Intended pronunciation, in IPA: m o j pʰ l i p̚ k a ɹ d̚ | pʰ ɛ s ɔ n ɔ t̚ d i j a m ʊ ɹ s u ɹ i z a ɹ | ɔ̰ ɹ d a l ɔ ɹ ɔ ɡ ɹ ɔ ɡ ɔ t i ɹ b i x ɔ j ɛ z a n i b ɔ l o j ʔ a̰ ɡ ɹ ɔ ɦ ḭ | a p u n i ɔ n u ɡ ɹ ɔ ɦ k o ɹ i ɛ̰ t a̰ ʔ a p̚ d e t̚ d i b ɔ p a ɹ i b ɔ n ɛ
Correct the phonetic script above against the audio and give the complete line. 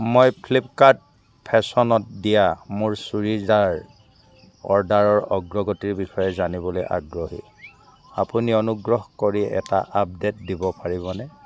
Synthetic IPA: m o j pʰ l i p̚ k a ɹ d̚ | pʰ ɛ s ɔ n ɔ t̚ d i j a m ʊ ɹ s u ɹ i z a ɹ | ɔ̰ ɹ d a ɹ ɔ ɹ ɔ ɡ ɹ ɔ ɡ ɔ t i ɹ b i x ɔ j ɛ z a n i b ɔ l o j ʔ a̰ ɡ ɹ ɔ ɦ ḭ | a p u n i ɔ n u ɡ ɹ ɔ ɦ k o ɹ i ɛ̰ t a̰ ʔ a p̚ d e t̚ d i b ɔ p a ɹ i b ɔ n ɛ